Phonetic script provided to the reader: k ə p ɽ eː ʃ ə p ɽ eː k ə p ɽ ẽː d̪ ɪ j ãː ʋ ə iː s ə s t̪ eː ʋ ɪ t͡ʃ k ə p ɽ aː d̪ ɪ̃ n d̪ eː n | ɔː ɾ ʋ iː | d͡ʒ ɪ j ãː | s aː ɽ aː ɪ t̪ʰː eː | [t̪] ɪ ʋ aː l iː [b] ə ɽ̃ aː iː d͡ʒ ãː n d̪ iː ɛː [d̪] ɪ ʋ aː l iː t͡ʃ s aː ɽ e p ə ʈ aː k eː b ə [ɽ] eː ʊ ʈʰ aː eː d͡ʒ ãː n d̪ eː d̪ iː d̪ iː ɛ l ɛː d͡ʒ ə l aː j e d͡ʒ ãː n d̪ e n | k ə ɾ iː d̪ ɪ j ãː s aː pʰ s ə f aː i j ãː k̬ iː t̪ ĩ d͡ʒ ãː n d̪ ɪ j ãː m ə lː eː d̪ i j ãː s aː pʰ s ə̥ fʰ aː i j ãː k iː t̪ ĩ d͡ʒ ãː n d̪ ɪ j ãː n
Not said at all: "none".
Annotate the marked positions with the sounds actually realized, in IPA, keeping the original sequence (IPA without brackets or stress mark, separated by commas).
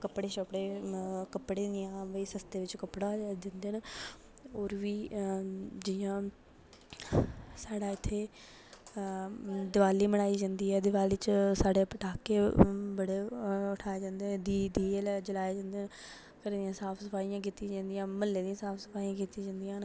d̪, m, d̪, ɽ